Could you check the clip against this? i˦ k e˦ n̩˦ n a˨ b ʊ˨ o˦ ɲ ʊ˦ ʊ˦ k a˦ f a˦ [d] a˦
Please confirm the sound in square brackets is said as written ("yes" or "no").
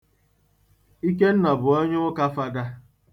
yes